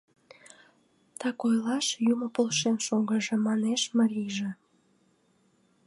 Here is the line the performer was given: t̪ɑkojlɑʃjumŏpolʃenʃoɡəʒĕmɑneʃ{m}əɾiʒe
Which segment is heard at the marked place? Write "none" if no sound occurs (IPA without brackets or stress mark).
m